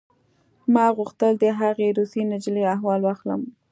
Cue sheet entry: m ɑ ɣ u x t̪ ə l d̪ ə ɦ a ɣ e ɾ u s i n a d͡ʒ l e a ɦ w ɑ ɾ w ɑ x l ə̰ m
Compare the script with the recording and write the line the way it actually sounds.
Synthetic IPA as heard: m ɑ ɣ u x t̪ ə l d̪ ə ɦ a ɣ e ɾ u s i n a d͡ʒ l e a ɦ w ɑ l w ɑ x l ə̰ m